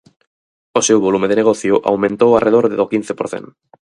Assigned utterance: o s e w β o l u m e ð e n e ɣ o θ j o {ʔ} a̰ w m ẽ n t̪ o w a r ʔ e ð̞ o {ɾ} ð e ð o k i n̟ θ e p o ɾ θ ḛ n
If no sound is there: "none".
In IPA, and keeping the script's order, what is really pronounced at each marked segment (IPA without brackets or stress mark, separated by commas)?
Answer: ʔ, ɾ